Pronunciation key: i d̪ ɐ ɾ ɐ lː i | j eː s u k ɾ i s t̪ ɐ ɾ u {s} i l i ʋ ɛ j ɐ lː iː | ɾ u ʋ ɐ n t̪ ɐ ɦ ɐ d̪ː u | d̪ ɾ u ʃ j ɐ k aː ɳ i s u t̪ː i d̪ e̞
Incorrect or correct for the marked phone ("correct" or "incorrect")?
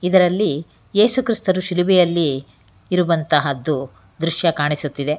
incorrect